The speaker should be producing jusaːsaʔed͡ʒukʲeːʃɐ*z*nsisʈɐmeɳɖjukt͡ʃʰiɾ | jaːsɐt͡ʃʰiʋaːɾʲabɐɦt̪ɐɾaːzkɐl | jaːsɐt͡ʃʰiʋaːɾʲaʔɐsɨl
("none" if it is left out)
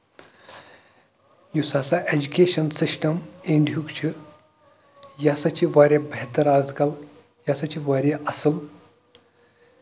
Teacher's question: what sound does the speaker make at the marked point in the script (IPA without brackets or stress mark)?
none